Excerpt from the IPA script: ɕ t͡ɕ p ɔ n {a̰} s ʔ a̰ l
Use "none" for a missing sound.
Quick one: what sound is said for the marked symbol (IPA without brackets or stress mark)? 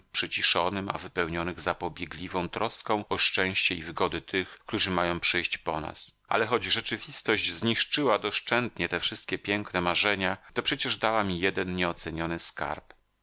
a̰